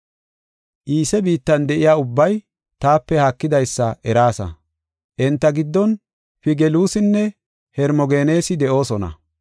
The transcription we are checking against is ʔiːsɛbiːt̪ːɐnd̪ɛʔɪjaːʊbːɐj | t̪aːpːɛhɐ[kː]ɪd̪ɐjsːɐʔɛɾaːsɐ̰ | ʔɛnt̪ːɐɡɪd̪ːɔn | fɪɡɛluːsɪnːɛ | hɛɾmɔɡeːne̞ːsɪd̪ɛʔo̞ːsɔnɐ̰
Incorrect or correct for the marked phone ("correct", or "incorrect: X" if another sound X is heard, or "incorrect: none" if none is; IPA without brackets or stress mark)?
correct